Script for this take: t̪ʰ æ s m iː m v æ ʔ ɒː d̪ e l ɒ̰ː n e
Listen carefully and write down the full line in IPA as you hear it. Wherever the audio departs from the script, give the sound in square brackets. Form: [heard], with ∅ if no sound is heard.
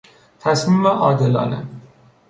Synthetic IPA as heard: t̪ʰ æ s m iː m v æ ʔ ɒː d̪ e l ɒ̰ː n e